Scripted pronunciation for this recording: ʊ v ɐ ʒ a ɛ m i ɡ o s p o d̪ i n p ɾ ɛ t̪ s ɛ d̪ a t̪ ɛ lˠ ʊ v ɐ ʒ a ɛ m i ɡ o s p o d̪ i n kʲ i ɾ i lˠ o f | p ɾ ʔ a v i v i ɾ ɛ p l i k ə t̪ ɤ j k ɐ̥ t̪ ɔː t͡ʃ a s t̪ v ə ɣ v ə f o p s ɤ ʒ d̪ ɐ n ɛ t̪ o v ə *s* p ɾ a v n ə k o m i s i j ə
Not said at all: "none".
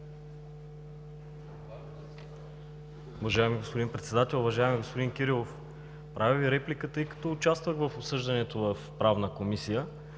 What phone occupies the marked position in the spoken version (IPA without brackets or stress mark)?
f